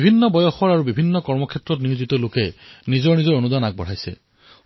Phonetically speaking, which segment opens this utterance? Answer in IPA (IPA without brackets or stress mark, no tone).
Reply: bʱ